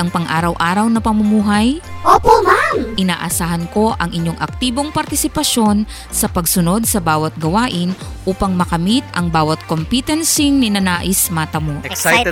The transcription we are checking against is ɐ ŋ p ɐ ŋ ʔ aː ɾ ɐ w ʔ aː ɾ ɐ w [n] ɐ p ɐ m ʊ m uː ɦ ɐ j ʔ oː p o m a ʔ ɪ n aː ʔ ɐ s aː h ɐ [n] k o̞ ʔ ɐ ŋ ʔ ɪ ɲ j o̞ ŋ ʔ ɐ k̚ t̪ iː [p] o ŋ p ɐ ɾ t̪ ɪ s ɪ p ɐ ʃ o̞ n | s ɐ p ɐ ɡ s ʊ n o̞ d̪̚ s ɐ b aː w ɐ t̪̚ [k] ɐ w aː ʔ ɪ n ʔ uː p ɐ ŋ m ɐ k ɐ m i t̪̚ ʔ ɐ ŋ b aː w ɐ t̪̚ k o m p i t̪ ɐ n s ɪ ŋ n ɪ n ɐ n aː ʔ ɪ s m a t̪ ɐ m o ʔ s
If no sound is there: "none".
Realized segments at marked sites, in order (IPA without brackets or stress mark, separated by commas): n, n, b, ɡ